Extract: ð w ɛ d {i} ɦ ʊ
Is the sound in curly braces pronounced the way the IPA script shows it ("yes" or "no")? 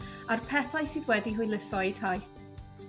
yes